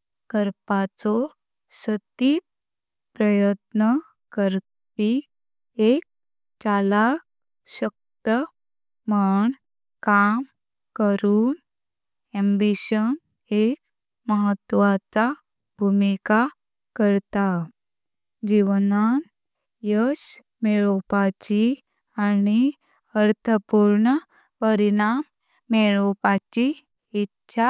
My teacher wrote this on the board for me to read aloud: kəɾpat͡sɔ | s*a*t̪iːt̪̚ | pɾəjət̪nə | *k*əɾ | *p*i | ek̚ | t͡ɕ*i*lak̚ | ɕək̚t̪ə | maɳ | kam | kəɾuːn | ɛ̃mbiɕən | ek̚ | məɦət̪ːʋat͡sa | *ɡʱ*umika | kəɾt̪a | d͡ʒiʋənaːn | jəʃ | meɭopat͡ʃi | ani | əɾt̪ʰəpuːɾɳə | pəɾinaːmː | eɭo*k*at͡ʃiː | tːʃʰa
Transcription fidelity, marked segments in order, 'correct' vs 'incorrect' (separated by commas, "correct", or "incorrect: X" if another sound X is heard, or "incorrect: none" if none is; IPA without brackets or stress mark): incorrect: ə, correct, correct, incorrect: a, incorrect: bʱ, incorrect: p